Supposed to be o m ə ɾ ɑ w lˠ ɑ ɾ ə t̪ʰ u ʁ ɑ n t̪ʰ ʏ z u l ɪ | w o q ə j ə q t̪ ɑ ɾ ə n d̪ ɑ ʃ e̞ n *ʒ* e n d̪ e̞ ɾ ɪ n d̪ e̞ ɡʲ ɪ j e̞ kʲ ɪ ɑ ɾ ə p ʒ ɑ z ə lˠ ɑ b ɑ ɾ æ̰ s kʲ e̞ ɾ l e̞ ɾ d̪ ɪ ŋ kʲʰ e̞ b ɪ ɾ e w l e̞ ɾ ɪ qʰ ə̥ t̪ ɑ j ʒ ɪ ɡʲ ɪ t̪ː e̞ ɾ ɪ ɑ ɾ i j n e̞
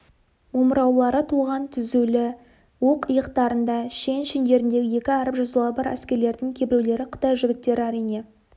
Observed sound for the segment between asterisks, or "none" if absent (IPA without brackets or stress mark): ʃ